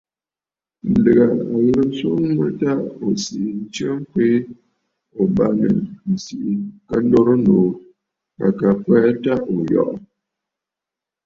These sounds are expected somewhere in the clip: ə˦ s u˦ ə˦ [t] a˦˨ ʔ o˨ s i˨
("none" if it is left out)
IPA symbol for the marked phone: t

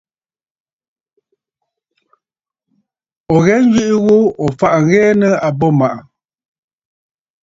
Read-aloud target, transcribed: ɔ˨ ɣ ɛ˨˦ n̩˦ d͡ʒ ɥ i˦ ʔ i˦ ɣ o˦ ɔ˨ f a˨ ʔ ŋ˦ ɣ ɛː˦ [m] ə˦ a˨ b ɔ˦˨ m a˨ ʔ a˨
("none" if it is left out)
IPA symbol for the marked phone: n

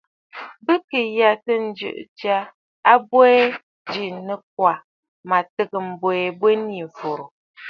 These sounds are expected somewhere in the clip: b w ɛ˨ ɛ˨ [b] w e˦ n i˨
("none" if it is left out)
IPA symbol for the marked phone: b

